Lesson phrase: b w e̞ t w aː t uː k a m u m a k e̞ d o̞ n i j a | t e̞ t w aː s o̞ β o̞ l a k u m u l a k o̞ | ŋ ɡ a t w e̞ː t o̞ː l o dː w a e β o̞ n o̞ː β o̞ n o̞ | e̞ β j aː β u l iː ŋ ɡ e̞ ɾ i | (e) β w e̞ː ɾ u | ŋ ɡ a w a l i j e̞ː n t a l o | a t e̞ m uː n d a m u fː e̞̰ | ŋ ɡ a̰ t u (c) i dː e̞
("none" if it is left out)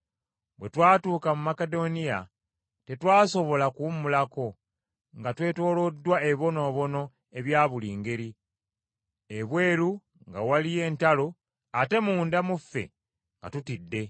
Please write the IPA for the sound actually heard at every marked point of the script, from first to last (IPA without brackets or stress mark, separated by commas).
e, t